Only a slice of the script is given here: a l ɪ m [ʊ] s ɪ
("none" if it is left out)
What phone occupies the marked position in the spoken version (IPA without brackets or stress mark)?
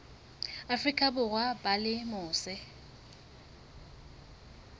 ʊː